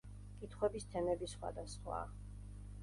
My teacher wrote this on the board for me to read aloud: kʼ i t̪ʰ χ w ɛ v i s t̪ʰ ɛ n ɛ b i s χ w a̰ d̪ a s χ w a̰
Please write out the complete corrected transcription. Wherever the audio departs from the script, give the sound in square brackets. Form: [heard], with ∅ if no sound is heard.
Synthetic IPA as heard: kʼ i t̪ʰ χ w ɛ [b] i s t̪ʰ ɛ n ɛ b i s χ w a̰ d̪ a s χ w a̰